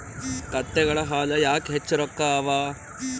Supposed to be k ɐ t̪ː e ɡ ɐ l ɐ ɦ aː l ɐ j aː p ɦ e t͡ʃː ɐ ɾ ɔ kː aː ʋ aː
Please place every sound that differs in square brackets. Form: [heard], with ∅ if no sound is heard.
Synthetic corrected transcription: k ɐ t̪ː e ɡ ɐ [ɭ] ɐ ɦ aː l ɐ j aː [k] ɦ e t͡ʃː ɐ ɾ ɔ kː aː ʋ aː